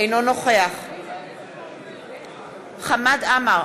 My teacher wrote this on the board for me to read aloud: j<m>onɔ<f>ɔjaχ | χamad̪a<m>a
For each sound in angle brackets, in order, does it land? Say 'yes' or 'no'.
no, no, yes

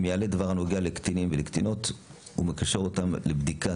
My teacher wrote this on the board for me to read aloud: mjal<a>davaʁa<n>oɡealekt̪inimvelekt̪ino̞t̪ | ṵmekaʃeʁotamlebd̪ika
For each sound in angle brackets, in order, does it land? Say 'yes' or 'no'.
no, yes

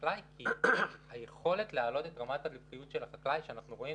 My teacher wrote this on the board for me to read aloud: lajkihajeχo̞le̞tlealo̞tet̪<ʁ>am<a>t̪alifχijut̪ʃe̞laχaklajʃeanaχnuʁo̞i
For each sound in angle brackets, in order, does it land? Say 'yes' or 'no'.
yes, yes

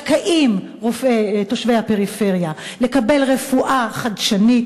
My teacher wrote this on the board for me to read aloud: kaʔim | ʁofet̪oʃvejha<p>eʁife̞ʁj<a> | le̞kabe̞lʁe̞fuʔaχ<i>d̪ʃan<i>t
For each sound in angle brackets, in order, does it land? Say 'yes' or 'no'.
yes, yes, no, yes

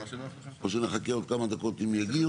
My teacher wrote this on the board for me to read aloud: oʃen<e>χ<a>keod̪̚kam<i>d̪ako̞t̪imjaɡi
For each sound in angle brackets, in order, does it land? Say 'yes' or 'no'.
yes, yes, no

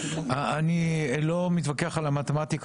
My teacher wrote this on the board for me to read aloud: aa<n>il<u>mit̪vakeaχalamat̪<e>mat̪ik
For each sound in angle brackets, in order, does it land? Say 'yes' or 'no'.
yes, no, yes

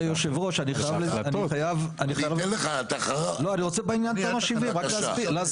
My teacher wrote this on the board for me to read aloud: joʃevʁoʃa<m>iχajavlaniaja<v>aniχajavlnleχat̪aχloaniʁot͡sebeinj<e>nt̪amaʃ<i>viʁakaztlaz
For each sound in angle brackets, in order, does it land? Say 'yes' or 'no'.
no, yes, no, yes

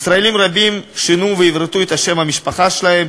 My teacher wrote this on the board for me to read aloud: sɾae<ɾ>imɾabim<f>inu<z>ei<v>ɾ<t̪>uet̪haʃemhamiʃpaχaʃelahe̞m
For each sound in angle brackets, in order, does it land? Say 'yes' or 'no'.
no, no, no, yes, yes

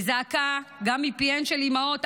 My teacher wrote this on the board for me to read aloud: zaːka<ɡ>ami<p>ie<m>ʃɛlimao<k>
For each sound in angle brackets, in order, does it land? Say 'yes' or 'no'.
yes, yes, no, no

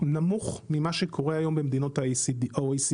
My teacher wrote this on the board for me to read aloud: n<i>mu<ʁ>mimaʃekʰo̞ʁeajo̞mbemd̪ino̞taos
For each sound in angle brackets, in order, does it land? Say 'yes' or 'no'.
no, no

